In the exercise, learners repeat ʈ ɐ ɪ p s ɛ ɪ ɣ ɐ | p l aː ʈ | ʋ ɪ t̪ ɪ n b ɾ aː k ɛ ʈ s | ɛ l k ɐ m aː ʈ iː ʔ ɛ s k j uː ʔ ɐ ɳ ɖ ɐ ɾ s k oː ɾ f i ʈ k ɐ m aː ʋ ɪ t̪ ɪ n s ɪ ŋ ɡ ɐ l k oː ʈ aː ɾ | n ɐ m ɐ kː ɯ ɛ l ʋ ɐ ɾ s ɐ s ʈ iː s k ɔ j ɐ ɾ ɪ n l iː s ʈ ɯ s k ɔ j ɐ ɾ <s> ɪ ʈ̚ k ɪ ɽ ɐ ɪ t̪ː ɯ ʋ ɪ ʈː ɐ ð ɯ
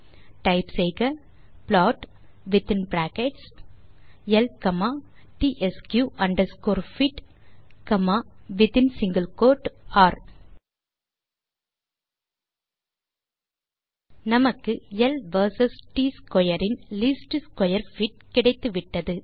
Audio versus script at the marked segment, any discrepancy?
yes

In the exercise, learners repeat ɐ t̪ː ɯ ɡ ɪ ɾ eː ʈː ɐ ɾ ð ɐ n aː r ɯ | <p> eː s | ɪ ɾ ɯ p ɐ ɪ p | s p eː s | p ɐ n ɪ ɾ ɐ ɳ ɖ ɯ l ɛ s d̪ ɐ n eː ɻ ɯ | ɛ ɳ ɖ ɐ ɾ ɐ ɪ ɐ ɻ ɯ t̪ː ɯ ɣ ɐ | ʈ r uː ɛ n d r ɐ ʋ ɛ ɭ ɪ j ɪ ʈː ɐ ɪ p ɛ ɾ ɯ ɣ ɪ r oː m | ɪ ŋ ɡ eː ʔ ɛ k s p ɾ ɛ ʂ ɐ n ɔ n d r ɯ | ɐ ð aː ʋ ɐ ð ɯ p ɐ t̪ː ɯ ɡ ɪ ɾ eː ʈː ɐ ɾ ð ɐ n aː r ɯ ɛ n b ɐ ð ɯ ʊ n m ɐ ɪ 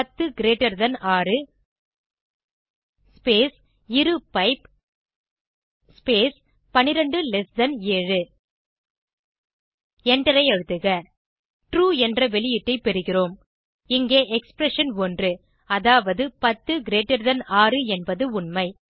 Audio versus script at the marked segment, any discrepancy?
no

